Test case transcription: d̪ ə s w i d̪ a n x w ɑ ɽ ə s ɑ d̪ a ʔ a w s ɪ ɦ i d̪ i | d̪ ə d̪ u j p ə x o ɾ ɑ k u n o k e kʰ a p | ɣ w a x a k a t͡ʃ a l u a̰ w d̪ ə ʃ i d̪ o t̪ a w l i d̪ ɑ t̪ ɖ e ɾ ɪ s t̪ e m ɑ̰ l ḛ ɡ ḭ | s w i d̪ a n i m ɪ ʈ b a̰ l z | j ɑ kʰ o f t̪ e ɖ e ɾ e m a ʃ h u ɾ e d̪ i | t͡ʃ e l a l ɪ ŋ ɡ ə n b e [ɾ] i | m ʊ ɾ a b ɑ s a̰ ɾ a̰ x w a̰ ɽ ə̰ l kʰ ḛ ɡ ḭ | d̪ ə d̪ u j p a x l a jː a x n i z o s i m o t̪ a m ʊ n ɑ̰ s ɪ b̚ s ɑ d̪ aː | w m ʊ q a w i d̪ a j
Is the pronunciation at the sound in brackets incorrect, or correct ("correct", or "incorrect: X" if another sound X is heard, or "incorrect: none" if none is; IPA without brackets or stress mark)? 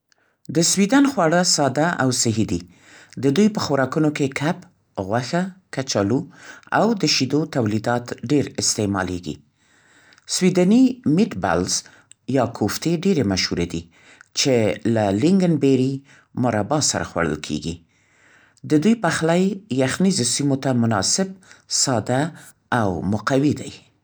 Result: correct